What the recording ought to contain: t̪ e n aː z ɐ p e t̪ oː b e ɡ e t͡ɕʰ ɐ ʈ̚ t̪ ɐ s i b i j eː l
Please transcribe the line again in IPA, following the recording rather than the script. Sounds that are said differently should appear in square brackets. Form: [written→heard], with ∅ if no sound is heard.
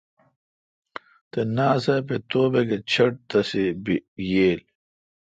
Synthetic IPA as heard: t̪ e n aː [z→s] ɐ p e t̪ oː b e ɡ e t͡ɕʰ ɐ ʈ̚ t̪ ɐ s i b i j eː l

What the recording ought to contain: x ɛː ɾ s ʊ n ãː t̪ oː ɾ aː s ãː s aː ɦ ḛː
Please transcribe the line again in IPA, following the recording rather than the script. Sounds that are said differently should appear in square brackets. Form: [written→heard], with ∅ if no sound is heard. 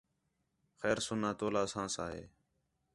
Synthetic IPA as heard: x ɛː ɾ s ʊ n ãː t̪ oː [ɾ→l] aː s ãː s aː ɦ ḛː

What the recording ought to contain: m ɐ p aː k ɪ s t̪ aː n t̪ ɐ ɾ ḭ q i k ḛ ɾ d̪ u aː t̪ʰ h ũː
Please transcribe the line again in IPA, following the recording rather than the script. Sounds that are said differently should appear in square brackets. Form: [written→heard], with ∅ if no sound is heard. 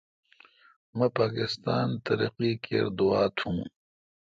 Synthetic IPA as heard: m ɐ p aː k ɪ s t̪ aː n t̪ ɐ ɾ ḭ q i k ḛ ɾ d̪ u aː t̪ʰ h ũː

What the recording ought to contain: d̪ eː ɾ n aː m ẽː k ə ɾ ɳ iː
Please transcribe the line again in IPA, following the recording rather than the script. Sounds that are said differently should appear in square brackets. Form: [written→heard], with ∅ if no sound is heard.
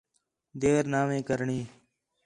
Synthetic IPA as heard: d̪ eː ɾ n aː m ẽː k ə ɾ ɳ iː

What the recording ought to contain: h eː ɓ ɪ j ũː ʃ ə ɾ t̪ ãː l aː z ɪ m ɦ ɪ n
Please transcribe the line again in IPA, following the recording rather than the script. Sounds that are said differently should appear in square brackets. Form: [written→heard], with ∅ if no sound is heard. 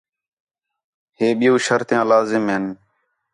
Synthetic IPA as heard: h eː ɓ ɪ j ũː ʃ ə ɾ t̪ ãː l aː z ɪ m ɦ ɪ n

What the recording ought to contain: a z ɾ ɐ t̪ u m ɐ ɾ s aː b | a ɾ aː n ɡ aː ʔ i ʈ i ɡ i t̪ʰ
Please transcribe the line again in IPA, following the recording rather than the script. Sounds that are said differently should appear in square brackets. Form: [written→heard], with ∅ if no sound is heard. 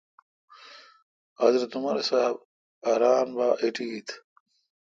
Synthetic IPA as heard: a z ɾ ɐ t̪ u m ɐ ɾ s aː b | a ɾ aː n [ɡ→b] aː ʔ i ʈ i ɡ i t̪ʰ

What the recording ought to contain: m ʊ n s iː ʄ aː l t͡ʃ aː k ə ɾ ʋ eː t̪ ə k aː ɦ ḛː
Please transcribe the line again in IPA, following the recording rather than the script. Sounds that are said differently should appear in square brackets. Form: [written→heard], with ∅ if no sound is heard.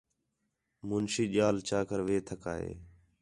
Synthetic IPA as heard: m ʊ n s iː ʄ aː l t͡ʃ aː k ə ɾ ʋ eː [t̪→t̪ʰ] ə k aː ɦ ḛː

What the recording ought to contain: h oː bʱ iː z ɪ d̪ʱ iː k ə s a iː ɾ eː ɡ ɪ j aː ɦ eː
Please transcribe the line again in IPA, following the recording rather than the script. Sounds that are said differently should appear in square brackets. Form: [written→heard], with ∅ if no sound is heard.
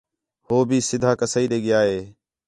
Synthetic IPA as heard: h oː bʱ iː [z→s] ɪ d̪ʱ [iː→aː] k ə s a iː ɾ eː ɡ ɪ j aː ɦ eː

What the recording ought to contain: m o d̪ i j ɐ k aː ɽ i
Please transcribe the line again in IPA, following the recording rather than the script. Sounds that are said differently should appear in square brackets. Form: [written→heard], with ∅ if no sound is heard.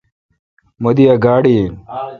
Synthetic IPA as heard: m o d̪ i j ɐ [k→ɡ] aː ɽ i

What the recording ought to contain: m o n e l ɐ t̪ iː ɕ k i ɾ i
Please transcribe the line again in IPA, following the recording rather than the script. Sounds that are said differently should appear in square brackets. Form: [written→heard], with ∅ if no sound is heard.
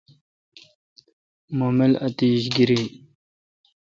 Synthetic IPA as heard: m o [n→m] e l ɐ t̪ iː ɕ [k→ɡ] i ɾ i

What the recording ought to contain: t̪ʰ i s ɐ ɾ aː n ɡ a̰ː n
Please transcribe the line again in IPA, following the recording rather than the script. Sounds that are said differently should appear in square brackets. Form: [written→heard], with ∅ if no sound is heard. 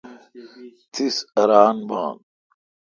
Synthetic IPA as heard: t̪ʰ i s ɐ ɾ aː n [ɡ→b] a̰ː n

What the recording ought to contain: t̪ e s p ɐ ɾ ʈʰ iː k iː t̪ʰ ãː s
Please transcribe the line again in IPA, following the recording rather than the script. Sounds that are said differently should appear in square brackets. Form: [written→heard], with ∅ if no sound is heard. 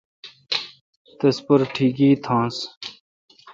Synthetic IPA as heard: t̪ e s p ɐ ɾ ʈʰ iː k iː t̪ʰ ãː s

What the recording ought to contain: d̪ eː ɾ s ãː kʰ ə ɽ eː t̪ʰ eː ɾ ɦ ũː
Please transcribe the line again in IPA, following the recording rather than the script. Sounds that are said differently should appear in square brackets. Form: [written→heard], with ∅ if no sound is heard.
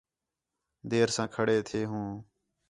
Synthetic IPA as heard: d̪ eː ɾ s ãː kʰ ə ɽ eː t̪ʰ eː [ɾ→∅] ɦ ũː

